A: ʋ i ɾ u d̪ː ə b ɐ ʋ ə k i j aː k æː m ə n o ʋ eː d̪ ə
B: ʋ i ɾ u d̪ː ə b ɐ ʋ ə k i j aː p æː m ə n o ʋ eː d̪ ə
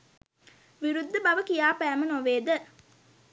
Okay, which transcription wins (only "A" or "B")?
B